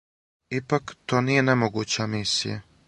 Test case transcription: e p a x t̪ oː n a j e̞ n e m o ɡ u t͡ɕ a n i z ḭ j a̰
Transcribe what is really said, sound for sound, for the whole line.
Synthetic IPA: i p a k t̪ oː n i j e̞ n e m o ɡ u t͡ɕ a m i s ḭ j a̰